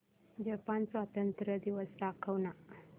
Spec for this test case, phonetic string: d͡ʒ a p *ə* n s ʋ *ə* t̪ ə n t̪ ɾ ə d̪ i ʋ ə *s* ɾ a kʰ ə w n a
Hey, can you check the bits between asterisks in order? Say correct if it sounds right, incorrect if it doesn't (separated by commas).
incorrect, incorrect, correct